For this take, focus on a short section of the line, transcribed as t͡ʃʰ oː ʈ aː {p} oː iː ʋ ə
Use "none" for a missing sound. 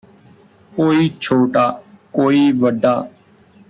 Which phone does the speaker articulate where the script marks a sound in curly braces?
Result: k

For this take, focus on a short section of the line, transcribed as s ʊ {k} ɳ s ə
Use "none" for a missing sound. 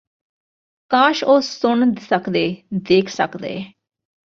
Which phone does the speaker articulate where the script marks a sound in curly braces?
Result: none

